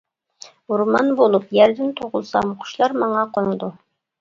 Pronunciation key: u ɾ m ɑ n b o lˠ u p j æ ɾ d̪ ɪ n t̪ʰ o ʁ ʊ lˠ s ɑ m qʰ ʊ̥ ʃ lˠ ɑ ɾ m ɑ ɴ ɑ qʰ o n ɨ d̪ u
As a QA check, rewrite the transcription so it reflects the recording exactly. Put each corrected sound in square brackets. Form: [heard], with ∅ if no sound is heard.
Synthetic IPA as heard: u ɾ m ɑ n b o lˠ u p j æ ɾ d̪ ɪ n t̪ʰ o ʁ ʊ lˠ s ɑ m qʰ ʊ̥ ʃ lˠ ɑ ɾ m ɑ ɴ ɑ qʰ o n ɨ d̪ u